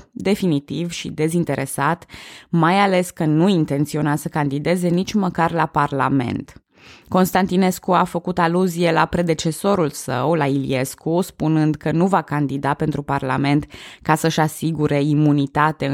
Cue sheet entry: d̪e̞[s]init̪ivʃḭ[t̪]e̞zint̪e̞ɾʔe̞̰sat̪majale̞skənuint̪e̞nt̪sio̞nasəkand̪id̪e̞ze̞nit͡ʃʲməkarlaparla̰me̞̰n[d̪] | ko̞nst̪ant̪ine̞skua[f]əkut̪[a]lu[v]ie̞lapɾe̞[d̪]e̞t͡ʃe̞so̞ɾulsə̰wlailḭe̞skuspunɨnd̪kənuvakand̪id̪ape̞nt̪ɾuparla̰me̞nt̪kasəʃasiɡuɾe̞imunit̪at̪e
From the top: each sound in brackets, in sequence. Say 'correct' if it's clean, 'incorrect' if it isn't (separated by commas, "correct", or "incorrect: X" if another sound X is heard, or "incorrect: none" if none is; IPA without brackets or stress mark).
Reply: incorrect: f, incorrect: d̪, incorrect: t̪, correct, correct, incorrect: z, correct